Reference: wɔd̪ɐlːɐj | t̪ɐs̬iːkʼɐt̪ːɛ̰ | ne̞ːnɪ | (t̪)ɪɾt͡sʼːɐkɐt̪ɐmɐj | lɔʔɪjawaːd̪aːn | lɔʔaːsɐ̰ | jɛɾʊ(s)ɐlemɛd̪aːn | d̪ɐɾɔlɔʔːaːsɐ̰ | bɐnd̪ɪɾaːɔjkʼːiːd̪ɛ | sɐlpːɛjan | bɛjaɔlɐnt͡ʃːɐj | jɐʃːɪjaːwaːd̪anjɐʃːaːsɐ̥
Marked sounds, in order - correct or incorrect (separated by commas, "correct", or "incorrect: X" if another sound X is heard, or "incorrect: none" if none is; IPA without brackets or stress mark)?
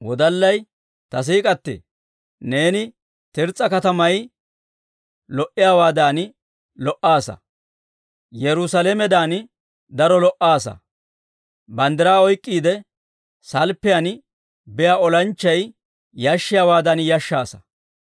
correct, correct